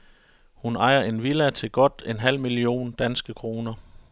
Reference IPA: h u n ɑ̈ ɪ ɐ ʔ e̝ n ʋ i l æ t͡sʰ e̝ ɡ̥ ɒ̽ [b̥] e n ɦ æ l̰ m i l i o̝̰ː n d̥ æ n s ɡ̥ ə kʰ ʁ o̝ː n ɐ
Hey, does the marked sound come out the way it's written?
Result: no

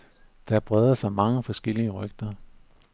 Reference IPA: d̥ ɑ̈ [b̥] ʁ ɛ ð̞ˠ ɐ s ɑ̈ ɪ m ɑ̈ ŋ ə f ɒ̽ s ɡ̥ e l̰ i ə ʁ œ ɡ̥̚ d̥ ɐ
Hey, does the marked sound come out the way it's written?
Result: yes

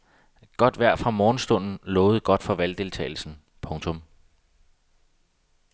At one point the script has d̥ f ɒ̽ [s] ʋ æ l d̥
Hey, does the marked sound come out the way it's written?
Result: no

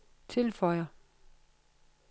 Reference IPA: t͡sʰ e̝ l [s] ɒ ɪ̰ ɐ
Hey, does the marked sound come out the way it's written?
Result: no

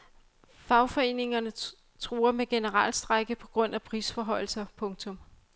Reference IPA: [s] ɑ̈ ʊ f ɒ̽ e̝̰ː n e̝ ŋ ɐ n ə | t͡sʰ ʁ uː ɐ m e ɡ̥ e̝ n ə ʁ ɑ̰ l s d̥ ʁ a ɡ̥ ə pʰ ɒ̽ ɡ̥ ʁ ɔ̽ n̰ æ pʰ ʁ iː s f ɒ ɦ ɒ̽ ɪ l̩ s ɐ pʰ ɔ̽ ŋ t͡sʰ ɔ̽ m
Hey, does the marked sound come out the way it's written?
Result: no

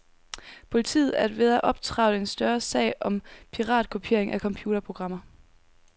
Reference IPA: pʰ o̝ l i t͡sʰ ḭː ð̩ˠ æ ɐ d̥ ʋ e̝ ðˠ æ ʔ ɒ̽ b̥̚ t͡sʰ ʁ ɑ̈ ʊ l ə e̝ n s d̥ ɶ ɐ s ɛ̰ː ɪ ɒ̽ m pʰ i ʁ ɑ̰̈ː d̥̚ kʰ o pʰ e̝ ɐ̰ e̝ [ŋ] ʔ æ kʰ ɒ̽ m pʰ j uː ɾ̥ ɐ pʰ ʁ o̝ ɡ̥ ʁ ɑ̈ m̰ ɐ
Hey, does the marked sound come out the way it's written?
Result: yes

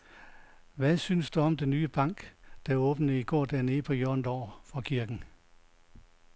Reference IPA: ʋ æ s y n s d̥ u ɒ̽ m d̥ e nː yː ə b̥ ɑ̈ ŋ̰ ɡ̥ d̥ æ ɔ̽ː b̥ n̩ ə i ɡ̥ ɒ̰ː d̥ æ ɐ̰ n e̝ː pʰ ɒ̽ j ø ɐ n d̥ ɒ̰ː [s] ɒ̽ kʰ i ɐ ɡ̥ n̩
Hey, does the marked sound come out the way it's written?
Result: no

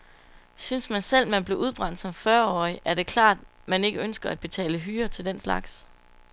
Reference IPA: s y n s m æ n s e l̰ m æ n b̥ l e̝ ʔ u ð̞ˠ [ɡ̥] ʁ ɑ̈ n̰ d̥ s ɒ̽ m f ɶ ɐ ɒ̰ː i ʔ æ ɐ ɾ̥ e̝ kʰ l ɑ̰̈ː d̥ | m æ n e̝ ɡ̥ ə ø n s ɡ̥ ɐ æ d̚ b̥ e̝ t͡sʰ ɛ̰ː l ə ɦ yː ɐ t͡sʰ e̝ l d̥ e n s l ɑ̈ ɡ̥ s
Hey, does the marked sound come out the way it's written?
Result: no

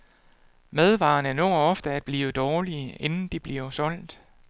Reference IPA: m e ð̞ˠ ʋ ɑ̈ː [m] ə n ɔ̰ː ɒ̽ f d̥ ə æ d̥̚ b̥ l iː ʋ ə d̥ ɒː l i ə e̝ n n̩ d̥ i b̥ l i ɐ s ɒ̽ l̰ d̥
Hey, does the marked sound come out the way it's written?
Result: no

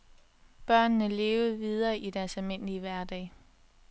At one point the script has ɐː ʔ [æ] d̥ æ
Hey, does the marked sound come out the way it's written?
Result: no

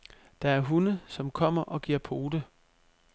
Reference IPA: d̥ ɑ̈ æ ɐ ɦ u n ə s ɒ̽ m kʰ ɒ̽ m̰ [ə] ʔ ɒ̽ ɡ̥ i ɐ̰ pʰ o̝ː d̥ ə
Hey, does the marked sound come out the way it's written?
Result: no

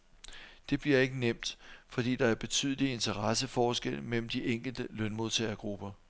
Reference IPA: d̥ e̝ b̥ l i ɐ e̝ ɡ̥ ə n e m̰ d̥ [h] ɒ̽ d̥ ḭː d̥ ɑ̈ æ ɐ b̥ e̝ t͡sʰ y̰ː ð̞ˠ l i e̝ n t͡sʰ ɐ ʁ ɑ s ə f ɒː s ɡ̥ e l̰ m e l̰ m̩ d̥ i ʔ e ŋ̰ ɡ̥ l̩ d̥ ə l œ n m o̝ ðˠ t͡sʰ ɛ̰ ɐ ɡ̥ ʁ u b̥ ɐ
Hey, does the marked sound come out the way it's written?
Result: no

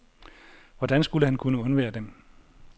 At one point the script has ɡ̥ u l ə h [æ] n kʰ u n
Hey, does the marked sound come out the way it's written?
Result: yes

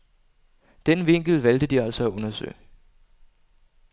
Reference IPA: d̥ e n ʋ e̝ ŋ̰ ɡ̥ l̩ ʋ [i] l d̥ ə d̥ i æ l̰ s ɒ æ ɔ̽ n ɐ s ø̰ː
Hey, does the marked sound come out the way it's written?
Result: no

